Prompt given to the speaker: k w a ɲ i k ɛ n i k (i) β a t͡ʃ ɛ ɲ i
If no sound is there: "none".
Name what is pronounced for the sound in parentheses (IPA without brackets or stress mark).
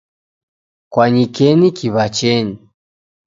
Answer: i